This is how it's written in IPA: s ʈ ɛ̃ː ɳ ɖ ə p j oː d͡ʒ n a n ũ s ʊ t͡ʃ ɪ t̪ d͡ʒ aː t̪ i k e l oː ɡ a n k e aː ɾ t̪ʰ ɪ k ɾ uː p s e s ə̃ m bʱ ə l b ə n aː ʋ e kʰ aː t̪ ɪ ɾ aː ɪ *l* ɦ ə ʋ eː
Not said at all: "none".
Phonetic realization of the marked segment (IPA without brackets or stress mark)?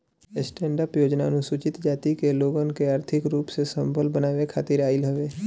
l